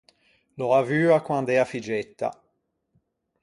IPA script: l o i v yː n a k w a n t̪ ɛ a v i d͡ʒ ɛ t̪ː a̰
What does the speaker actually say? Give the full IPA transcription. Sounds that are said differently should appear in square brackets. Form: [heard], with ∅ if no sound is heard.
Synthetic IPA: l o [a] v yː [∅] a k w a n [d̪] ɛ a [f] i d͡ʒ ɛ t̪ː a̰